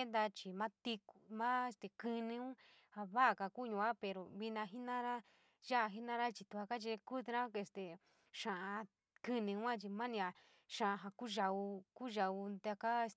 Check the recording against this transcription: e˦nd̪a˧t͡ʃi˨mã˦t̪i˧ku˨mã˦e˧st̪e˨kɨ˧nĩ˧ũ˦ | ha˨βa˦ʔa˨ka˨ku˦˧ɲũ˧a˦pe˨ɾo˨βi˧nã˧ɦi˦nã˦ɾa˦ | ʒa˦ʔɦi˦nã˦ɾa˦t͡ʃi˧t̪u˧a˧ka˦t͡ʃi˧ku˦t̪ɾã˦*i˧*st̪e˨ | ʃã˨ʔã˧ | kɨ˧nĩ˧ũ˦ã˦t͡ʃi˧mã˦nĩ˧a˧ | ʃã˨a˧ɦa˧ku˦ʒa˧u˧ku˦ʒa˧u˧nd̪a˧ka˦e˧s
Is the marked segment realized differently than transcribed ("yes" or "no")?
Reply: yes